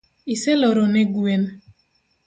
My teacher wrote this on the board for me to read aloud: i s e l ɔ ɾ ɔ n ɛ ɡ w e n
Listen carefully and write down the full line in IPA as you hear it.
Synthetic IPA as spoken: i s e l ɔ ɾ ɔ n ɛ ɡ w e n